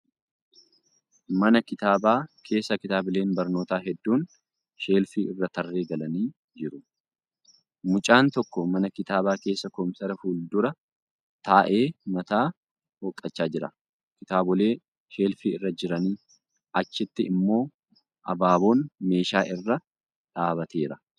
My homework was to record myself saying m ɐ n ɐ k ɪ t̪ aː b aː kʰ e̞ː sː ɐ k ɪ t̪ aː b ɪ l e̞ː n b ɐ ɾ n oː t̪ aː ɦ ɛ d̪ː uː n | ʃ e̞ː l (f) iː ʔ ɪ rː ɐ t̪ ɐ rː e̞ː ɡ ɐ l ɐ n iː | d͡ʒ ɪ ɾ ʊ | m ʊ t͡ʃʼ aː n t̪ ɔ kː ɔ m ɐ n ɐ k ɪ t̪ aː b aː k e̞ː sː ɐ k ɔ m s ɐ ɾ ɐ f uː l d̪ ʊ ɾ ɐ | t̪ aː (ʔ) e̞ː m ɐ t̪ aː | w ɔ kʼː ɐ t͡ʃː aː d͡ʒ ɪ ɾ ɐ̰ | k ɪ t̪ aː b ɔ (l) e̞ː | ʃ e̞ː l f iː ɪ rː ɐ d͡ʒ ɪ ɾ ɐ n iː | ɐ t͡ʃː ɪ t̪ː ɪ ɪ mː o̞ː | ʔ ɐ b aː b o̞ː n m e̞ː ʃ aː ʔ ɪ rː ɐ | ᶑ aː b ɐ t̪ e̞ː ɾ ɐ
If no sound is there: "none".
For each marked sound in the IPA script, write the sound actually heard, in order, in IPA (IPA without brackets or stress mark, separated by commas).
f, ʔ, l